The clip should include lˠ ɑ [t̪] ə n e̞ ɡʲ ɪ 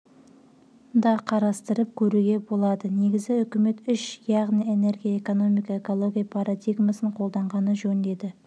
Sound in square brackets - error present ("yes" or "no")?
yes